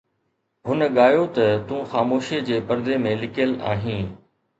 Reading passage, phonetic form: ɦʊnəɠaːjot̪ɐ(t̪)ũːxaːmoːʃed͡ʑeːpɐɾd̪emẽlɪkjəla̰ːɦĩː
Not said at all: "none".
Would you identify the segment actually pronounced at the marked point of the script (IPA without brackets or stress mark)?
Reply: t̪